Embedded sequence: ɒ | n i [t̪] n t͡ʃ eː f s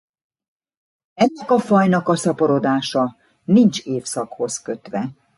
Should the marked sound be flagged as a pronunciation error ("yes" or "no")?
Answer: yes